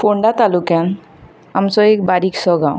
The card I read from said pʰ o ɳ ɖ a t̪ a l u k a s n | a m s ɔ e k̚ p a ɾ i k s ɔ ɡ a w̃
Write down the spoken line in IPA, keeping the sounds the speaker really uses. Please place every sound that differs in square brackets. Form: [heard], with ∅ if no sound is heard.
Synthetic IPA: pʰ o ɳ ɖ a t̪ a l u k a [∅] n | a m s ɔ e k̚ [b] a ɾ i k s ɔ ɡ a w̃